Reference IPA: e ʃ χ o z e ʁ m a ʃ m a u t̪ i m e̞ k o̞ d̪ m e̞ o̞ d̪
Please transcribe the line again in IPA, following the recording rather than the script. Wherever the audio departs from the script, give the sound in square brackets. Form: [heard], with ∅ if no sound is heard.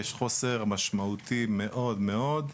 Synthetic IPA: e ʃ χ o [s] e ʁ m a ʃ m a u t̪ i m e̞ [ʔ] o̞ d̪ m e̞ o̞ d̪

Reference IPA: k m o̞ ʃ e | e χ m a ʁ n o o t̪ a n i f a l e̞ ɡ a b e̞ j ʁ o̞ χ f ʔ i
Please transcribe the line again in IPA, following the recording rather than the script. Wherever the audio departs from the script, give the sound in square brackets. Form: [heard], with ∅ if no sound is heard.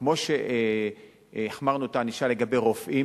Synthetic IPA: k m o̞ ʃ e | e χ m a ʁ n [u] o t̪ a n i [ʃ] a l e̞ ɡ a b e̞ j ʁ o̞ [∅] f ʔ i

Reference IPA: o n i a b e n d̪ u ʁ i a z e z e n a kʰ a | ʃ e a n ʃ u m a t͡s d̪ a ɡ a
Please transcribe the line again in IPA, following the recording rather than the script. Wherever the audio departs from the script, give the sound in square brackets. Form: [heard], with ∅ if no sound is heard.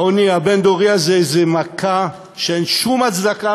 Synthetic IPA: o n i a b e n d̪ [o] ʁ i a z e z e [m] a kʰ a | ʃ e [e] n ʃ u m a t͡s d̪ a [k] a

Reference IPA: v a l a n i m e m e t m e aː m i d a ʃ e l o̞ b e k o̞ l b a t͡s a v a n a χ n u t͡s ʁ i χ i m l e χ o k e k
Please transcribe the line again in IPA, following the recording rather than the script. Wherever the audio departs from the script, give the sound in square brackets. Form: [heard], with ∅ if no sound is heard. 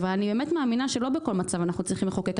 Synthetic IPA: v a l a n i [b] e m e t m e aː m i [n] a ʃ e l o̞ b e k o̞ l [m] a t͡s a v a n a χ n u t͡s ʁ i χ i m l e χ o k e k

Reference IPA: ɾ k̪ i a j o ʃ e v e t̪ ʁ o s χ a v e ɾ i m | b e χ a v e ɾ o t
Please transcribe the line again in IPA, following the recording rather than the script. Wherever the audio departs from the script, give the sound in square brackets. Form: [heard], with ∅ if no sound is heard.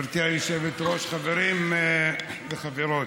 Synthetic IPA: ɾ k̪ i a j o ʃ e v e t̪ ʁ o [ʃ] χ a v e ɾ i m | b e χ a v e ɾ o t

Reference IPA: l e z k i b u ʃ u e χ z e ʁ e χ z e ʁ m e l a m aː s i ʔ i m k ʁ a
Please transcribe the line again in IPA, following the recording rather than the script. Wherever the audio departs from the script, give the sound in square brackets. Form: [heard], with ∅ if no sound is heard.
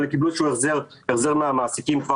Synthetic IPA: l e [∅] k i b u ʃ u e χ z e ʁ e χ z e ʁ m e [∅] a m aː s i [k] i m k [v] a

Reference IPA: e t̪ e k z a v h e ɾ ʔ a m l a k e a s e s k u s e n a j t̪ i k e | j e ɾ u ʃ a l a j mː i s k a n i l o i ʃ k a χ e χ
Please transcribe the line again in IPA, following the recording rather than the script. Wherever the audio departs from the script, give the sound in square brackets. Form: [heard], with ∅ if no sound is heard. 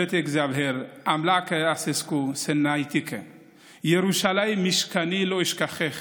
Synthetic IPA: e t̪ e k z a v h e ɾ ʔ a m l a k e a s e s k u s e n a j t̪ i k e | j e ɾ u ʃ a l a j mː i [ʃ] k a n i l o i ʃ k a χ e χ

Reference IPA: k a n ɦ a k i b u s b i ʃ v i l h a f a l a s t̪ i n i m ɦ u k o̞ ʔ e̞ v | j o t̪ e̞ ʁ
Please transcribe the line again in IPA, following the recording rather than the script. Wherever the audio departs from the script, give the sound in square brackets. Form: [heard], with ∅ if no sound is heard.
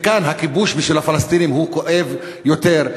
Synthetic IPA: k a n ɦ a k i b u [ʃ] b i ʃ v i l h a f a l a s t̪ i n i m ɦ u k o̞ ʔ e̞ v | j o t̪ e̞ ʁ

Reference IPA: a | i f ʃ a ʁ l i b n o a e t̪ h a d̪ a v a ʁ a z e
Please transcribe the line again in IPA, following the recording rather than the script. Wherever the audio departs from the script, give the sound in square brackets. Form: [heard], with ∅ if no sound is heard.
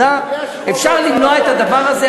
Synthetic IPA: a | [e] f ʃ a ʁ l i [m] n o a e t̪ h a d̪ a v a ʁ a z e

